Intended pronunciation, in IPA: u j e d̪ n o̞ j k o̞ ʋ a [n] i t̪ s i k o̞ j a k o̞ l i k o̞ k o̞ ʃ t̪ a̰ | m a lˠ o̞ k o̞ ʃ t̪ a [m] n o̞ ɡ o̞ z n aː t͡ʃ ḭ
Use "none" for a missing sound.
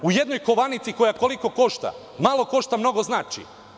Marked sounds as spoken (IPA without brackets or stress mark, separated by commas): n, m